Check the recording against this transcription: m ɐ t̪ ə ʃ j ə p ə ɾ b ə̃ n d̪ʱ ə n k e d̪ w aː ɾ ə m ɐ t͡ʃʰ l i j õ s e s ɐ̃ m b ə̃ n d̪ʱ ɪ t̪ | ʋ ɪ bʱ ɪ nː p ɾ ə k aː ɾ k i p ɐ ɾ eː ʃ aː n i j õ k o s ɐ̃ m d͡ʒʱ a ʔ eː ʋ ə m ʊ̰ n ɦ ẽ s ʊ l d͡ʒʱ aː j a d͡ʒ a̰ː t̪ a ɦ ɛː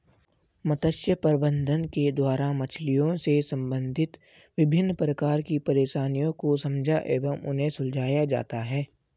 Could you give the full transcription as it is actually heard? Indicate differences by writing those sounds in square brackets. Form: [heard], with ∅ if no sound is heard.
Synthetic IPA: m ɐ t̪ ə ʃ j ə p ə ɾ b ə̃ n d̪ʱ ə n k e d̪ w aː ɾ [a] m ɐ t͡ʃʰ l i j õ s e s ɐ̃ m b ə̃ n d̪ʱ ɪ t̪ | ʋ ɪ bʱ ɪ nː p ɾ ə k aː ɾ k i p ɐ ɾ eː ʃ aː n i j õ k o s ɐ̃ m d͡ʒʱ a ʔ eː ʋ ə m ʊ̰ n ɦ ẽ s ʊ l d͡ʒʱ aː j a d͡ʒ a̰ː t̪ a ɦ ɛː